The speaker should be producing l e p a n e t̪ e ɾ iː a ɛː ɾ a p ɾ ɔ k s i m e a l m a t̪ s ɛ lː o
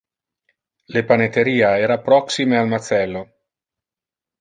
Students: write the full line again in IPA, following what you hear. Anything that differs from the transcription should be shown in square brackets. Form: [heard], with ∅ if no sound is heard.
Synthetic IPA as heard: l e p a n e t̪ e ɾ iː a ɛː ɾ a p ɾ ɔ k s i m e a l m a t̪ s ɛ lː o